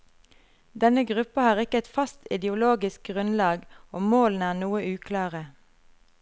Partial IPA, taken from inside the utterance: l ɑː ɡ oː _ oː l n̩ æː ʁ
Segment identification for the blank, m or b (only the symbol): m